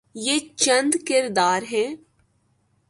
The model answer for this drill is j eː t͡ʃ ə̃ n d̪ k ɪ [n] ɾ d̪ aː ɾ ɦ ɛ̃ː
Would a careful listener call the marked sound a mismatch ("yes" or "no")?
yes